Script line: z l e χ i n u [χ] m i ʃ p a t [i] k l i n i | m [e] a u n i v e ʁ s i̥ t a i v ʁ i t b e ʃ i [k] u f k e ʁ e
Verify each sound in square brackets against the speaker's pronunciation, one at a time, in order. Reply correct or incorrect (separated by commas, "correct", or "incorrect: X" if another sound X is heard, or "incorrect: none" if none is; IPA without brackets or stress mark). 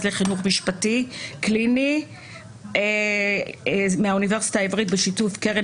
correct, correct, correct, incorrect: t